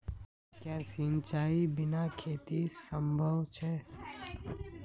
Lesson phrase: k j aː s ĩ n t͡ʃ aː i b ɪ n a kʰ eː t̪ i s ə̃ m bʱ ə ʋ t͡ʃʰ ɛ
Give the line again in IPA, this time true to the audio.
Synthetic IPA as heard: k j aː s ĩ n t͡ʃ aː i b ɪ n a kʰ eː t̪ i s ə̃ m bʱ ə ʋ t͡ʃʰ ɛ